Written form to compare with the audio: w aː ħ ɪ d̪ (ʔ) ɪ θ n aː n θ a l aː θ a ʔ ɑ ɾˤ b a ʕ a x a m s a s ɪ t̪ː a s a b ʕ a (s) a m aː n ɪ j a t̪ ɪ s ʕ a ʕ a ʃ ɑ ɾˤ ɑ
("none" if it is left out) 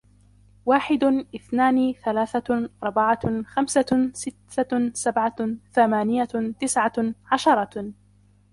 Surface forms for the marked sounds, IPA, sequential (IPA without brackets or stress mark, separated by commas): ʔ, θ